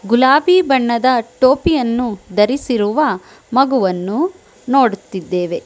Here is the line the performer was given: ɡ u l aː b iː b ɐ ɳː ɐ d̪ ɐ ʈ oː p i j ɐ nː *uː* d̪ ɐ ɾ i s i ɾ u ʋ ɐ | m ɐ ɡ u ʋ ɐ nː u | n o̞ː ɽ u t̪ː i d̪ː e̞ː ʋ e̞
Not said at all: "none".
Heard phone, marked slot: u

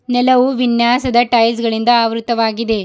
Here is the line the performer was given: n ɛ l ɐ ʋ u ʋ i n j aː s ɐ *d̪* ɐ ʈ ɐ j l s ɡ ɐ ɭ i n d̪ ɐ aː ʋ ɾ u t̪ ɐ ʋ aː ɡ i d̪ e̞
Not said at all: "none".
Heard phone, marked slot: d̪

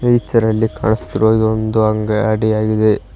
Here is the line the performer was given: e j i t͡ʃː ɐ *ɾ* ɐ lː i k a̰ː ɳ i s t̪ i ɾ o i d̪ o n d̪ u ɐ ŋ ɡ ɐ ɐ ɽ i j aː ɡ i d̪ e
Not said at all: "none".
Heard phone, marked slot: ɾ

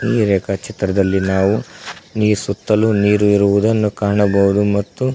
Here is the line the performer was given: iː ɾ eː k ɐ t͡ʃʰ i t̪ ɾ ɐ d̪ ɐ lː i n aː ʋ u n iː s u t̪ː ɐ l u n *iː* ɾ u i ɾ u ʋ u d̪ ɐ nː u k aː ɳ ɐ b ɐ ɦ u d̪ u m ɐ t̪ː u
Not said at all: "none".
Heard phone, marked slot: iː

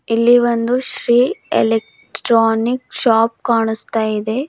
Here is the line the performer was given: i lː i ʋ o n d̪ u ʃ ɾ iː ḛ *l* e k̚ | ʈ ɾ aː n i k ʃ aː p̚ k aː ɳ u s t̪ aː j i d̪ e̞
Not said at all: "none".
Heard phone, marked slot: l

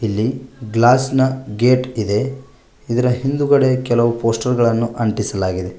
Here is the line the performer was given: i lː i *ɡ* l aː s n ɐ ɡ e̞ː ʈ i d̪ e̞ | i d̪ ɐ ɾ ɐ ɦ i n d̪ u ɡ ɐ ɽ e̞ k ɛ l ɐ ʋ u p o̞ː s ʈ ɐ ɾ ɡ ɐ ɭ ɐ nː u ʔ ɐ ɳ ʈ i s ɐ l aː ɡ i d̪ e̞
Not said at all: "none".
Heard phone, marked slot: ɡ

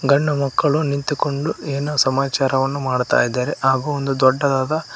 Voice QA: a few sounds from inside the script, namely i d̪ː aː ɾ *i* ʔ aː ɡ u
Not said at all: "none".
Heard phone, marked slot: e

